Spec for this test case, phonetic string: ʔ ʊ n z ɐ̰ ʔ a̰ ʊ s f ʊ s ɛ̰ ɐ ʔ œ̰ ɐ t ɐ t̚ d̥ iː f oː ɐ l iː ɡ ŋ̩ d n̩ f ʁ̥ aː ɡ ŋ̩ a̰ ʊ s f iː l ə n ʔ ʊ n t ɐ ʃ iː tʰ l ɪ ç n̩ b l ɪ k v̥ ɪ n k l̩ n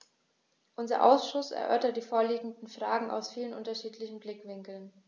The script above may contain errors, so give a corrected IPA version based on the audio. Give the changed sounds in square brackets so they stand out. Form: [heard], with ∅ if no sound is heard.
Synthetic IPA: ʔ ʊ n z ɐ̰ ʔ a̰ ʊ s [ʃ] ʊ s ɛ̰ ɐ ʔ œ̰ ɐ t ɐ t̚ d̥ iː f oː ɐ l iː ɡ ŋ̩ d n̩ f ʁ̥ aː ɡ ŋ̩ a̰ ʊ s f iː l ə n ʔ ʊ n t ɐ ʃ iː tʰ l ɪ ç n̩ b l ɪ k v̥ ɪ [ŋ] k l̩ n